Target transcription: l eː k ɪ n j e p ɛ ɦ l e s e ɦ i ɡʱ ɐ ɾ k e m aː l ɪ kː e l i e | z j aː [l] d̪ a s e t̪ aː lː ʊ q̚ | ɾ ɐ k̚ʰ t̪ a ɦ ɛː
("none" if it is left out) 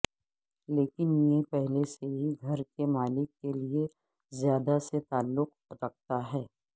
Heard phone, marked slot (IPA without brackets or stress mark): none